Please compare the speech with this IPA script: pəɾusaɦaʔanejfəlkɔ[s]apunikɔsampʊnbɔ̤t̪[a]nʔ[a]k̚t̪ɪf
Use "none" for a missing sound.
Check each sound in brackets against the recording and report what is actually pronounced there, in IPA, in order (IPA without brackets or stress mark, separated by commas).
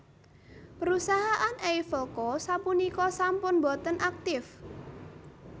s, ə, a